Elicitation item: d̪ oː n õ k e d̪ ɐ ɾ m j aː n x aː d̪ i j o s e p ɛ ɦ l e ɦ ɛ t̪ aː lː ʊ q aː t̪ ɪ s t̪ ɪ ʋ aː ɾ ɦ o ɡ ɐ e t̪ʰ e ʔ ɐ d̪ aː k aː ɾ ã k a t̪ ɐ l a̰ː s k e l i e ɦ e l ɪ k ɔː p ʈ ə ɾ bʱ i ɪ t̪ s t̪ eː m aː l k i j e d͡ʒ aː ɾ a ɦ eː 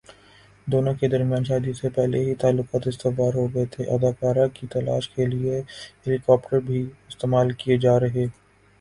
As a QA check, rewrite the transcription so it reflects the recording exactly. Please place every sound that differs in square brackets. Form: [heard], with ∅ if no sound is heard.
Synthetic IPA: d̪ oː n õ k e d̪ ɐ ɾ m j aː n [ʃ] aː d̪ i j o s e p ɛ ɦ l e ɦ [i] t̪ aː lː ʊ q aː t̪ ɪ s t̪ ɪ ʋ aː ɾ ɦ o ɡ ɐ e t̪ʰ e ʔ ɐ d̪ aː k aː ɾ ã k [i] t̪ ɐ l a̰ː [ʃ] k e l i e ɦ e l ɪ k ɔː p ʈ ə ɾ bʱ i ɪ [∅] s t̪ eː m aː l k i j e d͡ʒ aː ɾ [ɐ] ɦ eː